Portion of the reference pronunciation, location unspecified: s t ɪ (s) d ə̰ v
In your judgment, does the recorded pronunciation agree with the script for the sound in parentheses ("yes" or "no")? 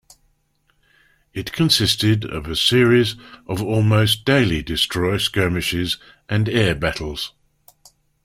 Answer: no